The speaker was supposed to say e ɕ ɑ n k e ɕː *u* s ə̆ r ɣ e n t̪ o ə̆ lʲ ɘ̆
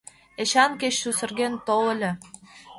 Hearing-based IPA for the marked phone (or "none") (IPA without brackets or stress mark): u